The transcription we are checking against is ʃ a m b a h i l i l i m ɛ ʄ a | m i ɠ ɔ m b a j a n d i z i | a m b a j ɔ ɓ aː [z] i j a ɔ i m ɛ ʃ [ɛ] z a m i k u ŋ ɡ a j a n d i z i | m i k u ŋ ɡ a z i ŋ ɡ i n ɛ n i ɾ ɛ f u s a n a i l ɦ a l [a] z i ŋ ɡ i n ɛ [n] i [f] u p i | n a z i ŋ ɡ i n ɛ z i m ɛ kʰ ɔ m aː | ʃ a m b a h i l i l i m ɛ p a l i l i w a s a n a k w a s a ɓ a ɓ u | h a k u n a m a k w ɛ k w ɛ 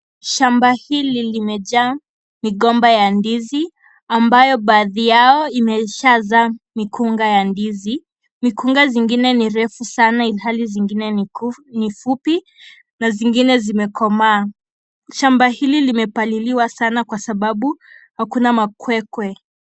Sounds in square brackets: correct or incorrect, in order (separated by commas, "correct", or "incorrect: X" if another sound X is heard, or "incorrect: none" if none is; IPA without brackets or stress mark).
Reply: incorrect: ð, incorrect: a, incorrect: i, correct, correct